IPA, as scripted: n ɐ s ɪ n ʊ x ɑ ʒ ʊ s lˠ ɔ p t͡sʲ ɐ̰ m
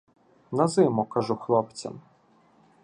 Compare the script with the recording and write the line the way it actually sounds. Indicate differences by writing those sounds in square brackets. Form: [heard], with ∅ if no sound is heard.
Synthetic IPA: n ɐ [z] ɪ [m] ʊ [k] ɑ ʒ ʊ [x] lˠ ɔ p t͡sʲ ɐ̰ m